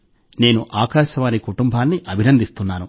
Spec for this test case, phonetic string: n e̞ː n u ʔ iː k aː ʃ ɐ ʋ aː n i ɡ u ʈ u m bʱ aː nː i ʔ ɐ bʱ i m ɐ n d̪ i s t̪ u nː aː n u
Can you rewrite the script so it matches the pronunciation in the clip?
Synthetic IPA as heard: n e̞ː n u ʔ aː k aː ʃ ɐ ʋ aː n i k u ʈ u m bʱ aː nː i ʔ ɐ bʱ i n ɐ n d̪ i s t̪ u nː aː n u